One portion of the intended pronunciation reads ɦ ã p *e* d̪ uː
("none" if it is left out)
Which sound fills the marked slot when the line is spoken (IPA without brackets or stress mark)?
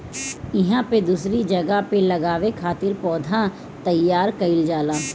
e